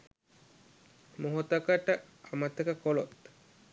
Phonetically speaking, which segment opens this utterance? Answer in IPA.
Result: m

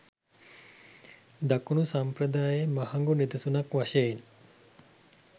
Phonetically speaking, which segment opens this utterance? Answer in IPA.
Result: d̪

